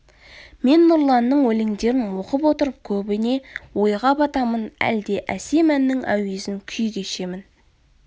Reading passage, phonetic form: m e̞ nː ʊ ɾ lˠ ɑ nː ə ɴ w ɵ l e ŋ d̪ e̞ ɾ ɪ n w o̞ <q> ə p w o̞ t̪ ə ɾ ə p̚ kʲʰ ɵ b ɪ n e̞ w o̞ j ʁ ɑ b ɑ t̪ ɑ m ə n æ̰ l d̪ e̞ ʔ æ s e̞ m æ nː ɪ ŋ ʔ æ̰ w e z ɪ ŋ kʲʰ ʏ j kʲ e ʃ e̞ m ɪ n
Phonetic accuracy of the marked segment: correct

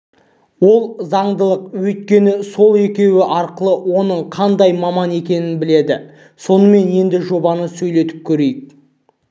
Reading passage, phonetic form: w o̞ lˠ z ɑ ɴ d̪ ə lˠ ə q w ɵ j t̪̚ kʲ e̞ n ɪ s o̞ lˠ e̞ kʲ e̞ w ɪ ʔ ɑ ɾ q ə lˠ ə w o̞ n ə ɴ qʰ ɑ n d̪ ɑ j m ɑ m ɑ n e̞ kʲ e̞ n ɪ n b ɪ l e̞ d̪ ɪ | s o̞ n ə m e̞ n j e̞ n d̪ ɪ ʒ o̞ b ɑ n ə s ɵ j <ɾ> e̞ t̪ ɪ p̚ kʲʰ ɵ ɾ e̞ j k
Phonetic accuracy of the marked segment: incorrect: l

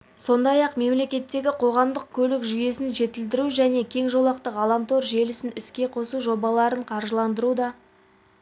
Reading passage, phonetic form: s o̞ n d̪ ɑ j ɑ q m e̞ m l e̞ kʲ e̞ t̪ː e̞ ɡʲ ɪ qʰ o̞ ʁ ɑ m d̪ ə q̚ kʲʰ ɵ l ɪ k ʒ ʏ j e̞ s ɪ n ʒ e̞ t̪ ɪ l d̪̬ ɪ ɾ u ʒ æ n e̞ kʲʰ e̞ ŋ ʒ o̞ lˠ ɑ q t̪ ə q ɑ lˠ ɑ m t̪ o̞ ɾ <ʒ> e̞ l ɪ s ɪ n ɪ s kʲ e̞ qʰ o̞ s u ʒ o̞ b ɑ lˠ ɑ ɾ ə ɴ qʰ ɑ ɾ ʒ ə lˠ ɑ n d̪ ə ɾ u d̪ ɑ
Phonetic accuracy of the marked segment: correct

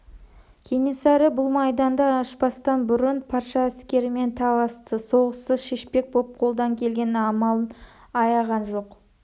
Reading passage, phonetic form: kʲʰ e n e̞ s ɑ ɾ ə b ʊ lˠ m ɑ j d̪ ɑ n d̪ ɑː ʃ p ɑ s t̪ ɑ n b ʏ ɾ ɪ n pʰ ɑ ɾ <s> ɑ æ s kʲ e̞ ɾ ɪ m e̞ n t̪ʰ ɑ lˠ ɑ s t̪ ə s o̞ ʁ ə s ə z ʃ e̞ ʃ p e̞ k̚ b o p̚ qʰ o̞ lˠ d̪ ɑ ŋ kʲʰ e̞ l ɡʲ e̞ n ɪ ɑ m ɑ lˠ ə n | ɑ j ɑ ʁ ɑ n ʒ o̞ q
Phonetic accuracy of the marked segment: incorrect: ʃ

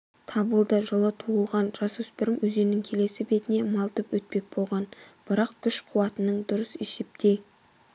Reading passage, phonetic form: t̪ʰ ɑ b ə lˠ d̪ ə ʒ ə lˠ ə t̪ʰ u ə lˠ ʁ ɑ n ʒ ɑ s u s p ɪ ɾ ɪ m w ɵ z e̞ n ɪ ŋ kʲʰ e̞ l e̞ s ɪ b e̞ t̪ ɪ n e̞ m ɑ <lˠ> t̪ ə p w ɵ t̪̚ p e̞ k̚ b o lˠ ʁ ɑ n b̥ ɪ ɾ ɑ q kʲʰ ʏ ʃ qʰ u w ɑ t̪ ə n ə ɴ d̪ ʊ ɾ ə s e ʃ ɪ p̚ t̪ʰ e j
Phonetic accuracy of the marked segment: correct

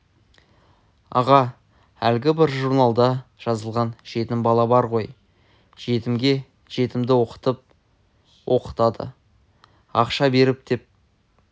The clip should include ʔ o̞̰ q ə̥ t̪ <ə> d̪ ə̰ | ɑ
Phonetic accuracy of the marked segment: incorrect: ɑ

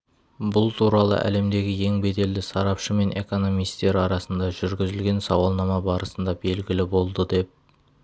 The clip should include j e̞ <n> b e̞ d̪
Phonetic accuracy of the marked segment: incorrect: ŋ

